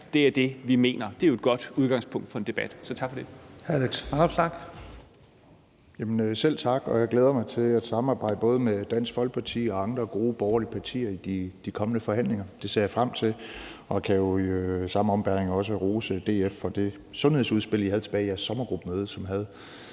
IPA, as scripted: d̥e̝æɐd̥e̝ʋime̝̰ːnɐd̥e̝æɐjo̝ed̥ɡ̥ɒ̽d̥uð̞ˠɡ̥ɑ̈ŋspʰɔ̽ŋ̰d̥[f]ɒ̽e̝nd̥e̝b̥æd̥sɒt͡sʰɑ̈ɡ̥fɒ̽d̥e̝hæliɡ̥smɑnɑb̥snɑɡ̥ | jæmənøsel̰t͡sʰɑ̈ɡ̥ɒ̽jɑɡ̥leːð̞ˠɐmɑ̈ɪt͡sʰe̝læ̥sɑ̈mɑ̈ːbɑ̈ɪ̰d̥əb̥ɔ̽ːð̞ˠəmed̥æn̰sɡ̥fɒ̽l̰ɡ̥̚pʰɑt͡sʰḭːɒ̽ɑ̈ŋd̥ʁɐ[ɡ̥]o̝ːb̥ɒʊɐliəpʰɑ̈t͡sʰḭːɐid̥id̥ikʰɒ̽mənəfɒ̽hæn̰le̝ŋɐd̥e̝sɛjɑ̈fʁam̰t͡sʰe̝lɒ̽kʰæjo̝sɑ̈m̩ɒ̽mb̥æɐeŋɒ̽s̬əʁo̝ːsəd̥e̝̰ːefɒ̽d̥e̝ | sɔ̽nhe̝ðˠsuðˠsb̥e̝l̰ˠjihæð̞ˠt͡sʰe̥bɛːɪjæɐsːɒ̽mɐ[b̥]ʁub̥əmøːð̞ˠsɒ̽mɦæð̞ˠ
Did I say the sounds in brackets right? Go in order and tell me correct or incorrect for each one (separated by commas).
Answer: correct, correct, incorrect